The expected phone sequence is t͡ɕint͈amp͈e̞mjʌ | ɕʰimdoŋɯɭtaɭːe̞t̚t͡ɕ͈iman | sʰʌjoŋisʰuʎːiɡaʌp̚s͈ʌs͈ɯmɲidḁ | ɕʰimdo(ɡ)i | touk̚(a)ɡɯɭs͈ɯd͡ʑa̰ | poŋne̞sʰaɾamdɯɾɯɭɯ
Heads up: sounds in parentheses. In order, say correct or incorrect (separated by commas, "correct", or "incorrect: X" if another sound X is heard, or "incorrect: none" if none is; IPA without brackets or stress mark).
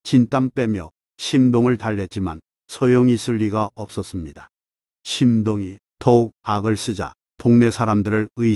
incorrect: ŋ, correct